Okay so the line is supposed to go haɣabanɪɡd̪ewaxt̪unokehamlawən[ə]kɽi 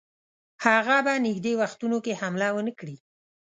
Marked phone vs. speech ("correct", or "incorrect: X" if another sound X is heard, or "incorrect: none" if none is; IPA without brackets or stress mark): correct